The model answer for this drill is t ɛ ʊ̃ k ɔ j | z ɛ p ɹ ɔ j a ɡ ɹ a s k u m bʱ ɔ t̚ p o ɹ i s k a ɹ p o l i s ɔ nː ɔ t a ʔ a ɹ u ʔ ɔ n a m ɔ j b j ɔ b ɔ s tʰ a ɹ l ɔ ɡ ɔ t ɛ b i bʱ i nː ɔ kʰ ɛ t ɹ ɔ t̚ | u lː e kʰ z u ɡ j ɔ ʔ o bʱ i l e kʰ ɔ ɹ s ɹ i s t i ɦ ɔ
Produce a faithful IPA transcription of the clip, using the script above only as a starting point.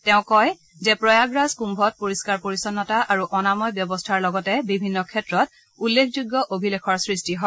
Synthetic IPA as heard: t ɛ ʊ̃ k ɔ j | z ɛ p ɹ ɔ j a ɡ ɹ a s k u m bʱ ɔ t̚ p o ɹ i s k a ɹ p o ɹ i s ɔ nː ɔ t a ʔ a ɹ u ʔ ɔ n a m ɔ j b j ɔ b ɔ s tʰ a ɹ l ɔ ɡ ɔ t ɛ b i bʱ i nː ɔ kʰ ɛ t ɹ ɔ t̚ | u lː e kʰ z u ɡ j ɔ ʔ o bʱ i l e kʰ ɔ ɹ s ɹ i s t i ɦ ɔ